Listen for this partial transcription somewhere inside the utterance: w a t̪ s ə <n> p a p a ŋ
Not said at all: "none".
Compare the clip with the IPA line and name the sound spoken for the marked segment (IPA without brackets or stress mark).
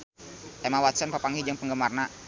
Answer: n